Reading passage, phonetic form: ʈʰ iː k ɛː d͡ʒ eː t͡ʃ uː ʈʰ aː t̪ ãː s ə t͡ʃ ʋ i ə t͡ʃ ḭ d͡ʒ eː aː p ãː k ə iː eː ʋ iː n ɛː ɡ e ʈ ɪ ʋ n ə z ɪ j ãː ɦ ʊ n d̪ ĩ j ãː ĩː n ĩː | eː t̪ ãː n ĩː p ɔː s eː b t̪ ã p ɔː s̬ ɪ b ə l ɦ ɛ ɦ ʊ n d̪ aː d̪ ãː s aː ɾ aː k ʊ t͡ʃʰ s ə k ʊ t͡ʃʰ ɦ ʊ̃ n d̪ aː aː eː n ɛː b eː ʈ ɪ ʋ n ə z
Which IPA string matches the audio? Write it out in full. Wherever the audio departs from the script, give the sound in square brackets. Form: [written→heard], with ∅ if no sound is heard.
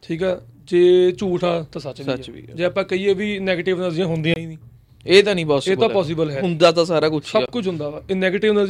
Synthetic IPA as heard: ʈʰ iː k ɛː d͡ʒ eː t͡ʃ uː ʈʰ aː t̪ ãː s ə t͡ʃ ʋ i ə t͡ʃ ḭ d͡ʒ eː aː p ãː k ə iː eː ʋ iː n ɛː ɡ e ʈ ɪ ʋ n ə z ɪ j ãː ɦ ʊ n d̪ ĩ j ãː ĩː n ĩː | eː t̪ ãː n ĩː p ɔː s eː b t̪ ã p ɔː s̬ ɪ b ə l ɦ ɛ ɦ ʊ n d̪ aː [d̪→t̪] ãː s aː ɾ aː k ʊ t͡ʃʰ s ə k ʊ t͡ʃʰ ɦ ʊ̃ n d̪ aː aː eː n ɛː [b→ɡ] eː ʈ ɪ ʋ n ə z